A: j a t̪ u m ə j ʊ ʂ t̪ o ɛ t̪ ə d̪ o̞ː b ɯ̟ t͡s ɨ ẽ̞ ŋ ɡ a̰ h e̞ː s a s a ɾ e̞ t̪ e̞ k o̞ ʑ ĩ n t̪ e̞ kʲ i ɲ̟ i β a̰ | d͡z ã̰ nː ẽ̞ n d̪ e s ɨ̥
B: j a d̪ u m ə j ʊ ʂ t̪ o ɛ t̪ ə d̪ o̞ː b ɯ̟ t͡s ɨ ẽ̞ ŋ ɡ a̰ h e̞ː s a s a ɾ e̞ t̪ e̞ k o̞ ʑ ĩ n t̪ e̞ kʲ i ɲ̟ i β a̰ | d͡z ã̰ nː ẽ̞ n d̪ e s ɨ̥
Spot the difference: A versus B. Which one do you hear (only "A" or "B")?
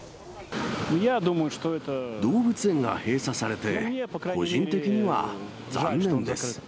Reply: B